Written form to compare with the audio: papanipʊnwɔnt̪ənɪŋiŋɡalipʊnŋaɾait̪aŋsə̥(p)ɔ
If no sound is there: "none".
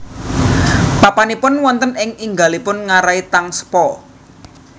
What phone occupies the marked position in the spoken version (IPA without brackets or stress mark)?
p